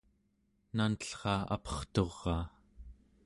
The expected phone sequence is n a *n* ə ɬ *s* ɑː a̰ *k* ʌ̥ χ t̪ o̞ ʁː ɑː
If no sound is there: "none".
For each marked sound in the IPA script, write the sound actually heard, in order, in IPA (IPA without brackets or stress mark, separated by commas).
n, χ, p